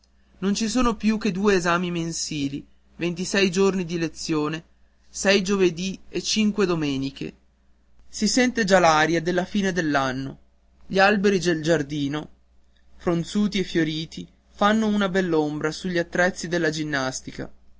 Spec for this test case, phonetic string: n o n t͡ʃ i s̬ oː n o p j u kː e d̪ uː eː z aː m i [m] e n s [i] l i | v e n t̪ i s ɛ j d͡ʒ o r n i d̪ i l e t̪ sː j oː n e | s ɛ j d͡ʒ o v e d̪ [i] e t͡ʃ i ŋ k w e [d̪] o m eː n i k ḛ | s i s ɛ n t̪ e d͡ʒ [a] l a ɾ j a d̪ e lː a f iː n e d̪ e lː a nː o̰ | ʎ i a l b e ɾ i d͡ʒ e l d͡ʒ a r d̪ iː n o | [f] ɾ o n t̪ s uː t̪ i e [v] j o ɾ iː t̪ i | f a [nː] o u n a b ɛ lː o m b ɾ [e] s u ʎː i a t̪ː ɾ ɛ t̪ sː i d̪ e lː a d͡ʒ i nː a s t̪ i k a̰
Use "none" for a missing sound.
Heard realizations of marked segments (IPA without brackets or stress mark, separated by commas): m, iː, i, d̪, a, f, f, nː, a